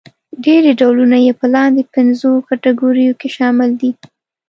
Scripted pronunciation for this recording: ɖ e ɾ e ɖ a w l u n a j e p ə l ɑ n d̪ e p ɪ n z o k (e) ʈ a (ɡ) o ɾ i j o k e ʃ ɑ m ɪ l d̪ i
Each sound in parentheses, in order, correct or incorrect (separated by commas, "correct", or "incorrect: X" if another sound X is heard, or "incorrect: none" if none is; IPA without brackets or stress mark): incorrect: a, correct